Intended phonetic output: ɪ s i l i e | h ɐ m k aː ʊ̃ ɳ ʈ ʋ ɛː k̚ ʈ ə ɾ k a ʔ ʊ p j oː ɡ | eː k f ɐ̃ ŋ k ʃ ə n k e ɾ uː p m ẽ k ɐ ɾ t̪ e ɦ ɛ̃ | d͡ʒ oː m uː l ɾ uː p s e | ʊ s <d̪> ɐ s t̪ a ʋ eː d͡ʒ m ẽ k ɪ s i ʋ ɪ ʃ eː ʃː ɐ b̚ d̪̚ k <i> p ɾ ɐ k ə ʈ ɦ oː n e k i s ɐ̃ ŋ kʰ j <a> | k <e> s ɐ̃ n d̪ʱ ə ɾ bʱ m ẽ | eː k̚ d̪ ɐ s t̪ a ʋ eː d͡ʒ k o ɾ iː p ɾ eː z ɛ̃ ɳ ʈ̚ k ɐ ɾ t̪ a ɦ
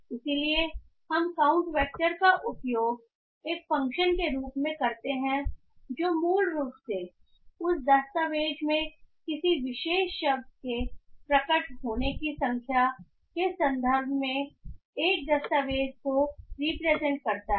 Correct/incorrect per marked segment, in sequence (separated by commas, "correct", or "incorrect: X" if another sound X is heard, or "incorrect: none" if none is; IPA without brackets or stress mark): correct, incorrect: e, correct, correct